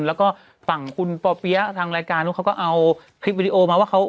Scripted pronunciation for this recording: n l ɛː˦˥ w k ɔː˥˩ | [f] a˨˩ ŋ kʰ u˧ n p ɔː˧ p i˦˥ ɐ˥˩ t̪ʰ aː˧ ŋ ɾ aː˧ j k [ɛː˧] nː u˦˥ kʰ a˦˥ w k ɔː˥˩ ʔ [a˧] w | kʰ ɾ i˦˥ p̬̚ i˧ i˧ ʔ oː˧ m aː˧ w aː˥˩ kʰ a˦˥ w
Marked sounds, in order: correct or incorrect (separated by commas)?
correct, incorrect, correct